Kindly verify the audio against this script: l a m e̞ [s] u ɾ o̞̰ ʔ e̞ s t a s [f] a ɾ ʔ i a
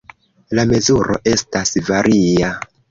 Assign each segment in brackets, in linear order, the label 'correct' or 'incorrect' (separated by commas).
incorrect, incorrect